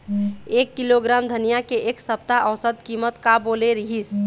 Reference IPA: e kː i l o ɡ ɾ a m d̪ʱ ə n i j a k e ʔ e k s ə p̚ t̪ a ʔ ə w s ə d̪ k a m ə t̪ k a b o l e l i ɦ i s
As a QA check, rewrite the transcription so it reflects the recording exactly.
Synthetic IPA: e kː i l o ɡ ɾ a m d̪ʱ ə n i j a k e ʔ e k s ə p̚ t̪ a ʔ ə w s ə d̪ k i m ə t̪ k a b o l e ɾ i ɦ i s